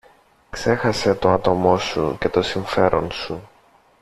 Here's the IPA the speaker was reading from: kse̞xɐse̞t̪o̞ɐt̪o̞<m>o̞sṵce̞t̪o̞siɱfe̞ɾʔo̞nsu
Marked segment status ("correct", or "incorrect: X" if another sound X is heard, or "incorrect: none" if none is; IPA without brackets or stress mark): correct